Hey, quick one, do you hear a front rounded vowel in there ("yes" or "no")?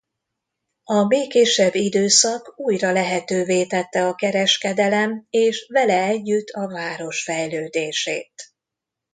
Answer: yes